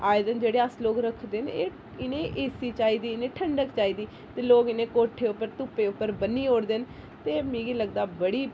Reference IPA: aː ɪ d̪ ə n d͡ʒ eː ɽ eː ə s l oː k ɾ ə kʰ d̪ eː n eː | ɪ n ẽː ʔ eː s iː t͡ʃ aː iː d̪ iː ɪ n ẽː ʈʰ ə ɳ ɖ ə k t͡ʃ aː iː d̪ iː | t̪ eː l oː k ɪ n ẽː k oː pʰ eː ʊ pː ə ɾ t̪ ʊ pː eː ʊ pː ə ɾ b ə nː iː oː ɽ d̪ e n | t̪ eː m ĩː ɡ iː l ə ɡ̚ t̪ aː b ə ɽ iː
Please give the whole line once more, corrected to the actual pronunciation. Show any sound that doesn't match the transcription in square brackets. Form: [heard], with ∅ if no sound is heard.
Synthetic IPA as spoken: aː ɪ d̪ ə n d͡ʒ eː ɽ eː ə s l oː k ɾ ə kʰ d̪ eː n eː | ɪ n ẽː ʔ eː s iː t͡ʃ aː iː d̪ iː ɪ n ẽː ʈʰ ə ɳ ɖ ə k t͡ʃ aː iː d̪ iː | t̪ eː l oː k ɪ n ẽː k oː [ʈʰ] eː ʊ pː ə ɾ t̪ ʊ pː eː ʊ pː ə ɾ b ə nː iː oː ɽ d̪ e n | t̪ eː m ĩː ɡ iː l ə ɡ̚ [d̪] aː b ə ɽ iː